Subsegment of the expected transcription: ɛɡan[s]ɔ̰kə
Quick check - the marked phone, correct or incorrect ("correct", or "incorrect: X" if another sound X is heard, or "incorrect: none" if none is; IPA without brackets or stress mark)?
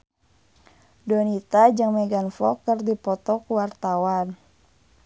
incorrect: f